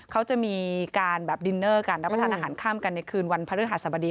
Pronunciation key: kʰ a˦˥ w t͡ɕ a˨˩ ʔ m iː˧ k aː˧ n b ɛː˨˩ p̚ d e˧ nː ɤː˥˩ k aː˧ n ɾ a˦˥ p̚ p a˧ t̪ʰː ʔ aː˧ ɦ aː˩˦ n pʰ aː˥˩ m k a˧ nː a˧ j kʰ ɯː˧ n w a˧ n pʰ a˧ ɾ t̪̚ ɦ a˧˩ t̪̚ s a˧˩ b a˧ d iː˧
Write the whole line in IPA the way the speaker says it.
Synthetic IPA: kʰ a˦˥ w t͡ɕ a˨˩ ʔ m iː˧ k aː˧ n b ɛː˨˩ p̚ d i˧ nː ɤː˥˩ k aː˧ n ɾ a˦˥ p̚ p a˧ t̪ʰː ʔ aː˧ ɦ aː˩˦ n kʰ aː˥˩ m k a˧ nː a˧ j kʰ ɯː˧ n w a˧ n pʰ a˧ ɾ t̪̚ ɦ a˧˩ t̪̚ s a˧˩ b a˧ d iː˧